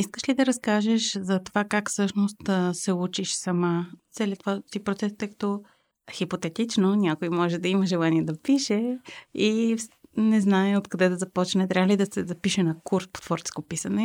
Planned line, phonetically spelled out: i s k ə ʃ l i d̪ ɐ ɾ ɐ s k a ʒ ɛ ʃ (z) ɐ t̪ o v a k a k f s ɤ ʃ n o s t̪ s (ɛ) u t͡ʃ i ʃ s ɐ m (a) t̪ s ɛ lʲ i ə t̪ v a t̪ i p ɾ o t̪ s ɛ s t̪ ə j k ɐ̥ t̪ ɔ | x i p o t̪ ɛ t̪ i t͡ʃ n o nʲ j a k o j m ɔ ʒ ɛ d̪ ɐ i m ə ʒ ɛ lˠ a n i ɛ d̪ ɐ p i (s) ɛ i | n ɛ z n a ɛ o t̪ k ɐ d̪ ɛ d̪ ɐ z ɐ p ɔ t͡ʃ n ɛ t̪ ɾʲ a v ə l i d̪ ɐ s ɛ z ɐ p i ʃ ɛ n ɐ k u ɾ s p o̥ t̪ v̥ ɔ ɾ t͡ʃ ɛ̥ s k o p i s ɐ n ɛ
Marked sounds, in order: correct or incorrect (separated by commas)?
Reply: correct, correct, correct, incorrect